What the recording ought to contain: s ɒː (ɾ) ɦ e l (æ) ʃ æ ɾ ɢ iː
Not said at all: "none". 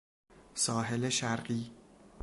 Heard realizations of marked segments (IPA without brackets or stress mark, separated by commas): none, e